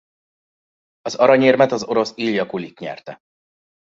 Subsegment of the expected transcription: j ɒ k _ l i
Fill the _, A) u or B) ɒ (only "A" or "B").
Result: A